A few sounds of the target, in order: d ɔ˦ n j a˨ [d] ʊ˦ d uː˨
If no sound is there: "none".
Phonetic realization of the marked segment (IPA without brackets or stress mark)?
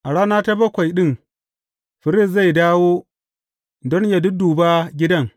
d